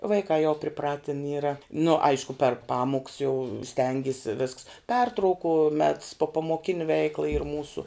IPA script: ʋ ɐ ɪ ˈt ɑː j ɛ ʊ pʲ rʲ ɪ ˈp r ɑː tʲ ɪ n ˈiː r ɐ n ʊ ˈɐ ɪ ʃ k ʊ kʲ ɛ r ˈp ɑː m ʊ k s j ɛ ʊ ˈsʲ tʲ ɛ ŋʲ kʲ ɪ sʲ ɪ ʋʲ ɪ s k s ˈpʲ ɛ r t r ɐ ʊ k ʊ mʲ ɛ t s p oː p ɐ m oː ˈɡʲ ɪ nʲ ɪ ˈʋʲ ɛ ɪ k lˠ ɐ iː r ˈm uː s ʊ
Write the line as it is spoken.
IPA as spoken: ʋ ɐ ɪ ˈk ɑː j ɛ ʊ pʲ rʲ ɪ ˈp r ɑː tʲ ɪ n ˈiː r ɐ n ʊ ˈɐ ɪ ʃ k ʊ pʲ ɛ r ˈp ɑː m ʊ k s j ɛ ʊ ˈsʲ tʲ ɛ ŋʲ ɡʲ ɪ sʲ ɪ ʋʲ ɪ s k s ˈpʲ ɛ r t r ɐ ʊ k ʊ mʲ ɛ t s p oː p ɐ m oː ˈkʲ ɪ nʲ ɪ ˈʋʲ ɛ ɪ k lˠ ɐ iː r ˈm uː s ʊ